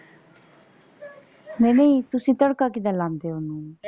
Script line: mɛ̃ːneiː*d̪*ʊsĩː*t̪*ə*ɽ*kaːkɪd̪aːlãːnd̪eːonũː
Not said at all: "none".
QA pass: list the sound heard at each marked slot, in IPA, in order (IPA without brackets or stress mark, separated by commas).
t̪, t̪, ɽ